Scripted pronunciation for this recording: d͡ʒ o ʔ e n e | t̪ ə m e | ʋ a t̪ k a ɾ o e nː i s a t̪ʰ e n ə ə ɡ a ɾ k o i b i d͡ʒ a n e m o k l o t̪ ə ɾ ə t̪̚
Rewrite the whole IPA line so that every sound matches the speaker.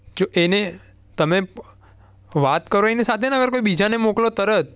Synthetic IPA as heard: d͡ʒ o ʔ e n e | t̪ ə m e | ʋ a t̪ k ə ɾ o e n i s a t̪ʰ e n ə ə ɡ ə ɾ k o i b i d͡ʒ a n e m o k l o t̪ ə ɾ ə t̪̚

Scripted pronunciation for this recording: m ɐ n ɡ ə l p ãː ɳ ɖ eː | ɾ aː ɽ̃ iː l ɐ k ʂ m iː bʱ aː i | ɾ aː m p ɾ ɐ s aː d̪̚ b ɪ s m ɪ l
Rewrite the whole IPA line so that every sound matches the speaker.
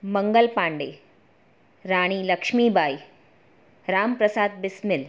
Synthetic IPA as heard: m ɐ ŋ ɡ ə l p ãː ɳ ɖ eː | ɾ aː ɽ̃ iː l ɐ k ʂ m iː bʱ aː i | ɾ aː m p ɾ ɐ s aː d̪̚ b ɪ s m ɪ l

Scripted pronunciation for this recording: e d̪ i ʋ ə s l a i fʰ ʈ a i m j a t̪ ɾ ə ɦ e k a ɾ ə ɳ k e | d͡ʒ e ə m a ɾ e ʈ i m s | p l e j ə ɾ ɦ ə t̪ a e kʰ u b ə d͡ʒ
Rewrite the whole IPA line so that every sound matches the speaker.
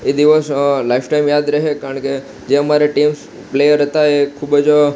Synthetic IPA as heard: e d̪ i ʋ ə s l a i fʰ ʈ a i m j a d̪ ɾ ə ɦ e k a ɾ ə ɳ k e | d͡ʒ e ə m a ɾ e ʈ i m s | p l e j ə ɾ ɦ ə t̪ a e kʰ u b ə d͡ʒ

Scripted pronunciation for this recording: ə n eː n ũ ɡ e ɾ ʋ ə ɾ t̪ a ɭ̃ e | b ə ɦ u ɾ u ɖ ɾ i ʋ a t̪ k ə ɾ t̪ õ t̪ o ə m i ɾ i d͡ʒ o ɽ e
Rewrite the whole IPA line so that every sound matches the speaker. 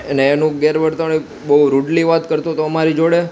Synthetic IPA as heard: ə n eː n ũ ɡ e ɾ ʋ ə ɾ t̪ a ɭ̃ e | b ə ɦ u ɾ u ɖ l i ʋ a t̪ k ə ɾ t̪ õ t̪ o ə m a ɾ i d͡ʒ o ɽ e

